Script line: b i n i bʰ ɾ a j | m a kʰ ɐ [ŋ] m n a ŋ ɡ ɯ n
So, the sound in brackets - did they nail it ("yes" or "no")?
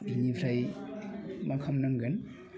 no